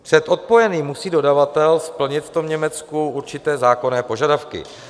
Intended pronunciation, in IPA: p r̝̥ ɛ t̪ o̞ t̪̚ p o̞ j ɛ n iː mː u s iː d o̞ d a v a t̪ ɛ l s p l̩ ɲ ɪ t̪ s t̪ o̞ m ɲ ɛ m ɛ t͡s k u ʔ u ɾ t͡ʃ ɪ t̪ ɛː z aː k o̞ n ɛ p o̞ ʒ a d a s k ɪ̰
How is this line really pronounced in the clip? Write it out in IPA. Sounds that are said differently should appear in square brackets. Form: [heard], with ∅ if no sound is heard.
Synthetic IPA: p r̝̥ ɛ t̪ o̞ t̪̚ p o̞ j ɛ n iː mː u s iː d o̞ d a v a t̪ ɛ l s p l̩ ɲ ɪ t̪ [f] t̪ o̞ m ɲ ɛ m ɛ t͡s k u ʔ u ɾ t͡ʃ ɪ t̪ ɛː z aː k o̞ n [ɛː] p o̞ ʒ a d a [f] k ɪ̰